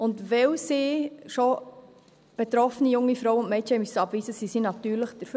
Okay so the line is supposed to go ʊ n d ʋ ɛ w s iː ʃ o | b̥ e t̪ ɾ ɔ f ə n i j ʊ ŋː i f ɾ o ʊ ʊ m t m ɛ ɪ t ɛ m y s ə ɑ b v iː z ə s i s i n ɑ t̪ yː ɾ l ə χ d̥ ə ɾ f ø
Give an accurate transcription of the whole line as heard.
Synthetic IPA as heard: ʊ n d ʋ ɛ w s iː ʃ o | b̥ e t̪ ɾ ɔ f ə n i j ʊ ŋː i f ɾ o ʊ ʊ n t m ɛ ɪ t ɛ m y s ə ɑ b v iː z ə s i s i n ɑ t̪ yː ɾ l ə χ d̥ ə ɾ f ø